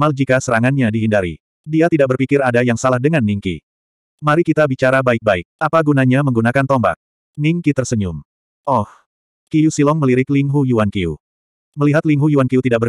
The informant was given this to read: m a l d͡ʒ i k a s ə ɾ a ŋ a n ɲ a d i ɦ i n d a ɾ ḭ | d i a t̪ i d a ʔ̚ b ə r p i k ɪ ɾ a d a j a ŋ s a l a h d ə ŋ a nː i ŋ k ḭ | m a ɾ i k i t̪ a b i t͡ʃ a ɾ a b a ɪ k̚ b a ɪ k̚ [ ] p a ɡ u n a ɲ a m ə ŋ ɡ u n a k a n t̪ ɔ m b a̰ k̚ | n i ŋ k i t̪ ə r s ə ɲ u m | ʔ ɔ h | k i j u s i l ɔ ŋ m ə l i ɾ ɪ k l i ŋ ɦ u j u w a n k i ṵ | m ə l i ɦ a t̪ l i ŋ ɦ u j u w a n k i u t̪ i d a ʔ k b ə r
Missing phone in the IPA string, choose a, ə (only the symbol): a